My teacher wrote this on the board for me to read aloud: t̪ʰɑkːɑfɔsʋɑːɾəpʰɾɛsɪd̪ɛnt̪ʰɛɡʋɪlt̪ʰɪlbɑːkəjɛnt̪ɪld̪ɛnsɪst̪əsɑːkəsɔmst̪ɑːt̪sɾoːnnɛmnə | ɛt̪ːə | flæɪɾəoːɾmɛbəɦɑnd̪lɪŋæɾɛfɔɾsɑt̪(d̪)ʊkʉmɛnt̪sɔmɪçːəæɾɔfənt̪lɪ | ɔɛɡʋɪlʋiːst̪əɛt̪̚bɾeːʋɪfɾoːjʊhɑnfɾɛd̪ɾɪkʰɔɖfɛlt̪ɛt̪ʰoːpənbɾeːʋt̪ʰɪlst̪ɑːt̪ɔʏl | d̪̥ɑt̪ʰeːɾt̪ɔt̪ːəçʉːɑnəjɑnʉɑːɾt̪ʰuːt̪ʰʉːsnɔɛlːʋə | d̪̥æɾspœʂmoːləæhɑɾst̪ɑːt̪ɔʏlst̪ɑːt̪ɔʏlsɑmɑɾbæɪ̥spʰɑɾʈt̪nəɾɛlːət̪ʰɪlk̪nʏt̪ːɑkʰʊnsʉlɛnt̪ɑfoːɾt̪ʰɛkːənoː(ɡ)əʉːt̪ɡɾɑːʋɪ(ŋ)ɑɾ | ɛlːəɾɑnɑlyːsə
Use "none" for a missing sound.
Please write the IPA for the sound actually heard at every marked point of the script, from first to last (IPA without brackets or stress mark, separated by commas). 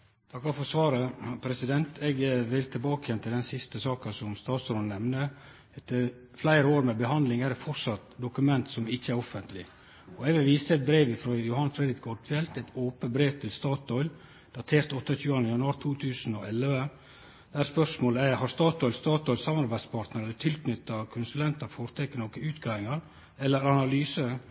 d̪, k, ŋ